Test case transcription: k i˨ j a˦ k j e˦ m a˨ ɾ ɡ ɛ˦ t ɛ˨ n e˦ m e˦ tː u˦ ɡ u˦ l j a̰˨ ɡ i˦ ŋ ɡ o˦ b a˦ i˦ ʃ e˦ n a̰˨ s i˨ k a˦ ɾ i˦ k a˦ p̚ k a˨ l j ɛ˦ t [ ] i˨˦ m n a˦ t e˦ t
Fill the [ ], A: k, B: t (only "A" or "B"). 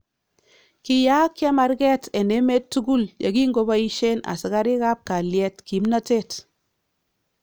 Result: A